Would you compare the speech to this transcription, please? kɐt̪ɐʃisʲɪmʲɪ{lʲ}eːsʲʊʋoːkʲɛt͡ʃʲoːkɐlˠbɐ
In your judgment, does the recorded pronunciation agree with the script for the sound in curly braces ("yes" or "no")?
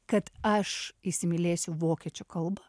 yes